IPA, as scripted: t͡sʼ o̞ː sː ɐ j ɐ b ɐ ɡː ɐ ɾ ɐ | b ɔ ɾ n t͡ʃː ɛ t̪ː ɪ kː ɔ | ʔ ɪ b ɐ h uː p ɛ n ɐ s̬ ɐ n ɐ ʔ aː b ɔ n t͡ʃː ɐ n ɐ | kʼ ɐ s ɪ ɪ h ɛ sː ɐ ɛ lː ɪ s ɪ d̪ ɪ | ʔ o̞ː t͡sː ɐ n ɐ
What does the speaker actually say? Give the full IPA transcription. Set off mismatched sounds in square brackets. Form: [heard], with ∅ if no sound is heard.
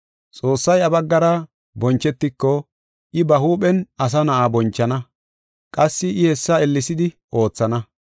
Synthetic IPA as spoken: t͡sʼ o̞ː sː ɐ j ɐ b ɐ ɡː ɐ ɾ ɐ | b ɔ [∅] n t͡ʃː ɛ t̪ː ɪ kː ɔ | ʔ ɪ b ɐ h uː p ɛ n ɐ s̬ ɐ n ɐ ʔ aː b ɔ n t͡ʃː ɐ n ɐ | kʼ ɐ [sː] ɪ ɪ h ɛ sː ɐ ɛ lː ɪ s ɪ d̪ ɪ | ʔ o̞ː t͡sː ɐ n ɐ